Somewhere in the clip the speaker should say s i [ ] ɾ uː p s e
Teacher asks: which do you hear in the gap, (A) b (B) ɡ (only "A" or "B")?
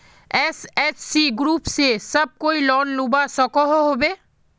B